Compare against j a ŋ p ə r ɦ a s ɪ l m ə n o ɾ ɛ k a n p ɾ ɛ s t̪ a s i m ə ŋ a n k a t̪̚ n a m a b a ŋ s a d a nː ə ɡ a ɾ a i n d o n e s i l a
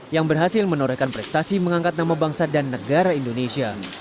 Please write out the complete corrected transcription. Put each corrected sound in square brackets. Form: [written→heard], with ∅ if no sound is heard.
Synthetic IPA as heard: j a ŋ [p→b] ə r ɦ a s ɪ l m ə n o ɾ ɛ k a n p ɾ ɛ s t̪ a s i m ə ŋ a [n→ŋ] k a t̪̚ n a m a b a ŋ s a d a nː ə ɡ a ɾ a i n d o n e s i [l→∅] a